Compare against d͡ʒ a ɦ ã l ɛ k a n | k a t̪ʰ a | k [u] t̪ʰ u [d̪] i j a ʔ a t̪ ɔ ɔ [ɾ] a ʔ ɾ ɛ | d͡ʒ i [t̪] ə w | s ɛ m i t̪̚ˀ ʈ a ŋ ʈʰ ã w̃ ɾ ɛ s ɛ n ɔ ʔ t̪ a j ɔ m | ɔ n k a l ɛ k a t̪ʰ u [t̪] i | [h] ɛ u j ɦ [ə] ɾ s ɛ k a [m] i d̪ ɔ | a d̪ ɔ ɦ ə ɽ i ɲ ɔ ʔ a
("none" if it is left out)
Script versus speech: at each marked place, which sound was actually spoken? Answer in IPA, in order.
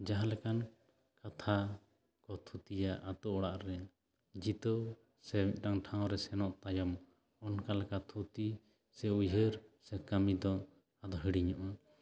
ɔ, t̪, ɽ, t̪, t̪, s, ə, m

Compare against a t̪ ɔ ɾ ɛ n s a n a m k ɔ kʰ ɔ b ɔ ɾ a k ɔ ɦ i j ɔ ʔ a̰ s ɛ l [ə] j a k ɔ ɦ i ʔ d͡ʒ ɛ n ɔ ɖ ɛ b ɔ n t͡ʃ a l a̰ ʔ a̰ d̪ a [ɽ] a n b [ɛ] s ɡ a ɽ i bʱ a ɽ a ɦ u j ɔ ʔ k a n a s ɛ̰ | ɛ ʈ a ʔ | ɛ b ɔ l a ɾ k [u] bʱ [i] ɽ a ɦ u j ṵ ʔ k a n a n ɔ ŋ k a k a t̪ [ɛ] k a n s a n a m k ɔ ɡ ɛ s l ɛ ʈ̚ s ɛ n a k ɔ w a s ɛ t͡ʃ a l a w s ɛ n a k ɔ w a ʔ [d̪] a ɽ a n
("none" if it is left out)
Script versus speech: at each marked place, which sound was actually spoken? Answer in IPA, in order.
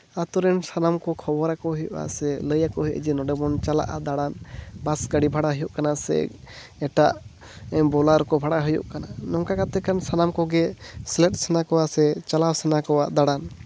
ə, ɽ, a, ɔ, a, ɛ, d̪

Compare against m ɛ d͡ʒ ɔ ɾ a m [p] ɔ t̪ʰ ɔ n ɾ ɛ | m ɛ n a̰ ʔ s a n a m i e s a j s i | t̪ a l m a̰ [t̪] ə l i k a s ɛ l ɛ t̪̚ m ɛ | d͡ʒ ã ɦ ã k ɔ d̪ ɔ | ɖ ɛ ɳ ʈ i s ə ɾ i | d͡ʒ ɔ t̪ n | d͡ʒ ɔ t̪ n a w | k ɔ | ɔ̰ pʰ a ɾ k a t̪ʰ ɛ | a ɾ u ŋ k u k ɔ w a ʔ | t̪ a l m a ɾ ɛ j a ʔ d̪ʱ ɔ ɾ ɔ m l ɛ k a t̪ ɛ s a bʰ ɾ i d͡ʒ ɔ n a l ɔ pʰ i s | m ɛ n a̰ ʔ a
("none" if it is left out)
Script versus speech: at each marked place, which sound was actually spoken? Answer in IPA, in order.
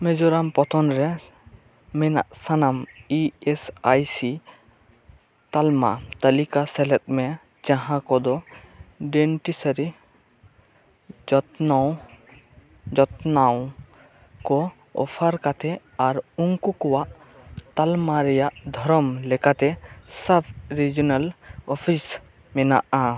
p, t̪

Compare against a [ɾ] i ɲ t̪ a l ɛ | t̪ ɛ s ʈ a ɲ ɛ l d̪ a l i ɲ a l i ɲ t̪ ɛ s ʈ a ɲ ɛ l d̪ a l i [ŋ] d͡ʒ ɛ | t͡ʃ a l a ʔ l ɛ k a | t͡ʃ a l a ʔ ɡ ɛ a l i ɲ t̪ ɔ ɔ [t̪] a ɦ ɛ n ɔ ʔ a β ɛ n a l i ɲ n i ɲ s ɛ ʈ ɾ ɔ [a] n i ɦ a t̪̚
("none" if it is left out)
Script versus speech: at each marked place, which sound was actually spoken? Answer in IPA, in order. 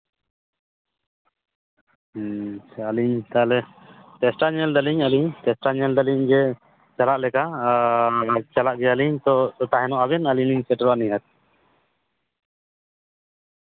l, ɲ, t̪, a

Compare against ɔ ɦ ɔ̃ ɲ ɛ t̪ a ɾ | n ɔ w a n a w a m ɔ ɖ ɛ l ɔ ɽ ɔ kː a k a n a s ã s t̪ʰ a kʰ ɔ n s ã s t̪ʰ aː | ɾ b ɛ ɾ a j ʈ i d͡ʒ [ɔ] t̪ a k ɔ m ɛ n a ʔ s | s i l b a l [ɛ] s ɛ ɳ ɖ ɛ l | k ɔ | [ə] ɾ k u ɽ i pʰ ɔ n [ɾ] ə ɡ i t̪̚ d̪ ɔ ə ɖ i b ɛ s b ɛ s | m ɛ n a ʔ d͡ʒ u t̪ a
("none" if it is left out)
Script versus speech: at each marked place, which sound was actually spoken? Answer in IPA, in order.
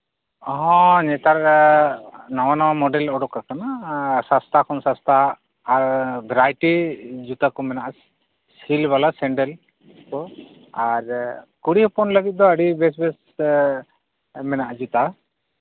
u, a, a, l

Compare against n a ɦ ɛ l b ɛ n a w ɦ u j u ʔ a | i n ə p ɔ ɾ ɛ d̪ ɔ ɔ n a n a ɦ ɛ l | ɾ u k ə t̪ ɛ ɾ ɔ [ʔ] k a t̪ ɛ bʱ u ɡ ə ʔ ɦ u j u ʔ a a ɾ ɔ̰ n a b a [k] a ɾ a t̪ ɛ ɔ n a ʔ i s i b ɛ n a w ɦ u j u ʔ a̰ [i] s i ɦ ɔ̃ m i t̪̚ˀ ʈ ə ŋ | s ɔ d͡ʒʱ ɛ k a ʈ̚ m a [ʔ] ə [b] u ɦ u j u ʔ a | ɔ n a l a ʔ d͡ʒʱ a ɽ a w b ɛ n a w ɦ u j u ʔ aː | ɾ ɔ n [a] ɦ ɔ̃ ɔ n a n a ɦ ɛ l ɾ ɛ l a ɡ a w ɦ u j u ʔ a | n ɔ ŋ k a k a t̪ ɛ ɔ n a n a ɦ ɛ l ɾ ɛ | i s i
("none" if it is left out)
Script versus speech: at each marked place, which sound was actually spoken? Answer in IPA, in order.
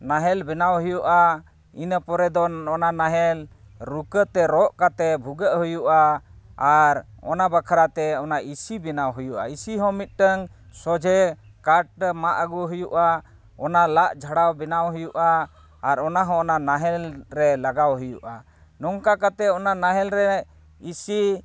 ʔ, kʰ, i, ʔ, ɡ, a

